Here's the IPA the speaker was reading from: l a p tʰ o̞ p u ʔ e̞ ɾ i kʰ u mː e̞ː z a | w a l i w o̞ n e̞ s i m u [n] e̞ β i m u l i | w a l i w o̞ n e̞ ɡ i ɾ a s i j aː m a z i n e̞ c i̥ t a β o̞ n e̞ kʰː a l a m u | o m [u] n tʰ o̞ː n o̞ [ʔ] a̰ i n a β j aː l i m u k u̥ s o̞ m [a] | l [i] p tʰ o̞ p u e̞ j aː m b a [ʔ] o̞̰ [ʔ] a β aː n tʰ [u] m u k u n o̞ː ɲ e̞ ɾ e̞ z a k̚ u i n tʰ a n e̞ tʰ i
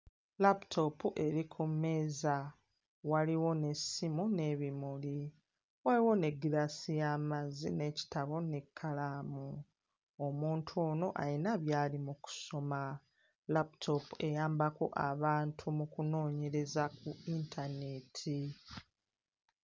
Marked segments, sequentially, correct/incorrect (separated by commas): correct, incorrect, correct, correct, incorrect, incorrect, correct, correct